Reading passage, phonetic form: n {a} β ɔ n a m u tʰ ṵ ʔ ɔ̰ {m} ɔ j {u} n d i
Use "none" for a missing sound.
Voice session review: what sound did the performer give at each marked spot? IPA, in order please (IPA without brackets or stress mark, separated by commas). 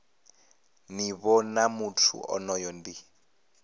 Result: i, n, ɔ